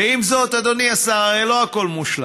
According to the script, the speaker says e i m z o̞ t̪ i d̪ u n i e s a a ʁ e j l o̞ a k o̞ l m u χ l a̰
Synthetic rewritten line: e i m z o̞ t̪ a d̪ o n i a s a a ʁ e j l o̞ a k o̞ l m u ʃ l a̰